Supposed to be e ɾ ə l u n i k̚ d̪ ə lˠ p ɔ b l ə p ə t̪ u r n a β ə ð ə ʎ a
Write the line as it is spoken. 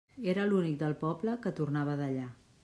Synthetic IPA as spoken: e ɾ ə l u n i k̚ d̪ ə lˠ p ɔ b l ə k ə t̪ u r n a β ə ð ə ʎ a